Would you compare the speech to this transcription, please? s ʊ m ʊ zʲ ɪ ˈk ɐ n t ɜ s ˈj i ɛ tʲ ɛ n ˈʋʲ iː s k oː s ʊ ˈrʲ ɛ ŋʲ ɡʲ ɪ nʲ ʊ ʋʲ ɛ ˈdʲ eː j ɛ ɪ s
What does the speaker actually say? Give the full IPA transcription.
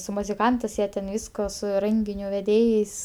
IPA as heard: s ʊ m ʊ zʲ ɪ ˈk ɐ n t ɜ s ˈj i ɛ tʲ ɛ n ˈʋʲ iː s k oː s ʊ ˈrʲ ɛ ŋʲ ɡʲ ɪ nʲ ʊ ʋʲ ɛ ˈdʲ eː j ɛ ɪ s